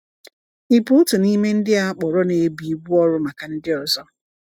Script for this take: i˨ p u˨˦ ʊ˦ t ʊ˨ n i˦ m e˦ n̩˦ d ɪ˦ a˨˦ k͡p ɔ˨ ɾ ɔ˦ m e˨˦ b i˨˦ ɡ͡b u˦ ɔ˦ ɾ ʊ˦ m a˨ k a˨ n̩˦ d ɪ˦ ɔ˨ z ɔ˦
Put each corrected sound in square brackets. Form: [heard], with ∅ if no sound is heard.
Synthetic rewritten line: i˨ p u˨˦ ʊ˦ t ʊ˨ n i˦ m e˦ n̩˦ d ɪ˦ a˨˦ k͡p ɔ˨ ɾ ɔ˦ [n] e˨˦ b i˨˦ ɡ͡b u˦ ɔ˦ ɾ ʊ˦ m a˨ k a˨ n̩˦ d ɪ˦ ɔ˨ z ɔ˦